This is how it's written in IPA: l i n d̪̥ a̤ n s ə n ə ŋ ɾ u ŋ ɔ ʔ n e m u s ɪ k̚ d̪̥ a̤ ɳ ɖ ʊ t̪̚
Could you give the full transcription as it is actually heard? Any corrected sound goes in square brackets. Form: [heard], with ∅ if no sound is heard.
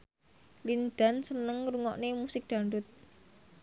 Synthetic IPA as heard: l i n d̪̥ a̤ n s ə n ə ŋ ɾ u ŋ ɔ ʔ n e m u s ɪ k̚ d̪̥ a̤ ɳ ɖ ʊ t̪̚

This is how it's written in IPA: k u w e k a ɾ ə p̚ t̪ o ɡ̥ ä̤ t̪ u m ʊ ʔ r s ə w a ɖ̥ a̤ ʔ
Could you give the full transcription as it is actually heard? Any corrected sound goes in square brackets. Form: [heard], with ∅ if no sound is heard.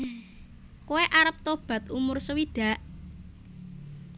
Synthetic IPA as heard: k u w e [ʔ] a ɾ ə p̚ t̪ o [b̥] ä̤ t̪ u m ʊ [∅] r s ə w [i] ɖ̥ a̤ ʔ

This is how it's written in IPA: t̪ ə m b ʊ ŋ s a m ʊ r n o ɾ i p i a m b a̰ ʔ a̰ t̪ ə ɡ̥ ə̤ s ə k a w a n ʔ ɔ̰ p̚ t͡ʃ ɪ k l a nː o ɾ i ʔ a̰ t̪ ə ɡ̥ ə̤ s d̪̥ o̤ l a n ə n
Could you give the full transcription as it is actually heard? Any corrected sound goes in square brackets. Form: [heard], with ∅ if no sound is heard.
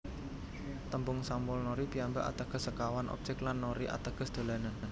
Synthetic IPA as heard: t̪ ə m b ʊ ŋ s a m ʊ [l] n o ɾ i p i a m b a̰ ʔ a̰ t̪ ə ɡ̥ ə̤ s ə k a w a n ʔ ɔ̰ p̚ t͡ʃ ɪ k l a nː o ɾ i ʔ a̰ t̪ ə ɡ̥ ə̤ s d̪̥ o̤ l a n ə n

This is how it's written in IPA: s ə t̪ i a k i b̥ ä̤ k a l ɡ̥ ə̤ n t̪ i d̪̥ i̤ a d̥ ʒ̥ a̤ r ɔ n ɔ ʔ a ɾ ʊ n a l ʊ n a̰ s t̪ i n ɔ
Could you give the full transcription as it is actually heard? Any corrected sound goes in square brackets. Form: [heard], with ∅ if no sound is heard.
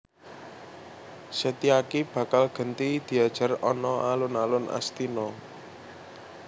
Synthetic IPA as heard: s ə t̪ i a k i b̥ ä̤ k a l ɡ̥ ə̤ n t̪ i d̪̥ i̤ a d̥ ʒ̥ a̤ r ɔ n ɔ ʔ a [l] ʊ n a l ʊ n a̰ s t̪ i n ɔ

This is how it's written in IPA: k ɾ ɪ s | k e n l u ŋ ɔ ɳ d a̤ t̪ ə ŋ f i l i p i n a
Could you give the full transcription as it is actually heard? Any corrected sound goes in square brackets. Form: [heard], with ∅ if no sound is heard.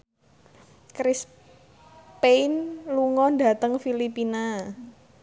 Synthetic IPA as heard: k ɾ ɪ s | [p] e n l u ŋ ɔ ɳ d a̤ t̪ ə ŋ f i l i p i n a

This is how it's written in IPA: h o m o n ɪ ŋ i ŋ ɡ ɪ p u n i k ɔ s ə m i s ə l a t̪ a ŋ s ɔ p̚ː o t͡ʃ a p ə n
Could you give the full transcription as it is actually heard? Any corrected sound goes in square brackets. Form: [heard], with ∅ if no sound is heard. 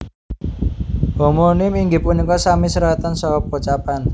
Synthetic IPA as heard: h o m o n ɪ [m] i ŋ ɡ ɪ p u n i k ɔ s [a] m i s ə [ɾ] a t̪ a [n] s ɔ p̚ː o t͡ʃ a p [a] n

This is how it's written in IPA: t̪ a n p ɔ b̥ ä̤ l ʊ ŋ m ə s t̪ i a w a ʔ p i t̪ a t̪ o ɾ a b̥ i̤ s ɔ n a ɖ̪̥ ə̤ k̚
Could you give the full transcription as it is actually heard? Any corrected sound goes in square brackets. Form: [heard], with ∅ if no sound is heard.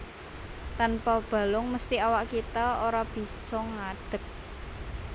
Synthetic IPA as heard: t̪ a n p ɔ b̥ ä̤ l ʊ ŋ m ə s t̪ i a w a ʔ [k] i t̪ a [∅] o ɾ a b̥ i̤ s ɔ [ŋ] a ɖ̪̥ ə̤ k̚

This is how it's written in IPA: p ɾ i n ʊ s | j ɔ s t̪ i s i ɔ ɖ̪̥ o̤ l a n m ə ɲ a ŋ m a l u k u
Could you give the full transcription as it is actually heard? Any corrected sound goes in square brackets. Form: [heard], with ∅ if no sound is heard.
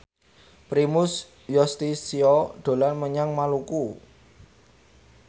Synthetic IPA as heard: p ɾ i [m] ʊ s | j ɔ s t̪ i s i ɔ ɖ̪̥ o̤ l a n m ə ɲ a ŋ m a l u k u

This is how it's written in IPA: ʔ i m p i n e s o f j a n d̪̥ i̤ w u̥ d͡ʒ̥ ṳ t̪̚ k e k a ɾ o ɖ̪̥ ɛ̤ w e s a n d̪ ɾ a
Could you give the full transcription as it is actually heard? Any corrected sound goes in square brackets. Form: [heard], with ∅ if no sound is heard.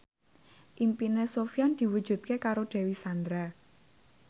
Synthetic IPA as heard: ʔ i m p i n e s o f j a n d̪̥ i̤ w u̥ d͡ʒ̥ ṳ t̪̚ k e k a ɾ o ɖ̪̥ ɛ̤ w [i] s a n d̪ ɾ a

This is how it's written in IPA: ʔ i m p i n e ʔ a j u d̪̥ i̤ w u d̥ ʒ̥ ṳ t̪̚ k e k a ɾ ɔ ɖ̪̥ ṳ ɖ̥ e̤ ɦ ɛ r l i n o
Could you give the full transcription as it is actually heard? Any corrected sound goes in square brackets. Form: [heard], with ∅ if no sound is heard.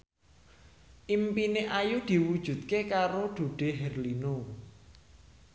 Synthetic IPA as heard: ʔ i m p i n e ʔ a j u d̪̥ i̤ w u d̥ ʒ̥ ṳ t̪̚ k e k a ɾ [o] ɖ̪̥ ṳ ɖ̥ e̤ ɦ ɛ r l i n o

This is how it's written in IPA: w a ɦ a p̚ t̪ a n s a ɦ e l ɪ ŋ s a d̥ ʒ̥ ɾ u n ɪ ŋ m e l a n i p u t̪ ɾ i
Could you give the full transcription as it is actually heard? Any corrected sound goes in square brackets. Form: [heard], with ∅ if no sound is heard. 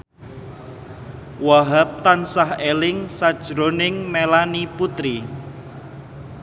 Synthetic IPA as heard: w a ɦ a p̚ t̪ a n s a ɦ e l ɪ ŋ s a d̥ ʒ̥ ɾ [o] n ɪ ŋ m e l a n i p u t̪ ɾ i

